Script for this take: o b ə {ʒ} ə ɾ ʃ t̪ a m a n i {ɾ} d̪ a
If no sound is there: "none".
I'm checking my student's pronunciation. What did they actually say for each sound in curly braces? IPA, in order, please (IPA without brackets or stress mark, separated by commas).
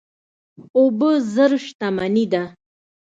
z, none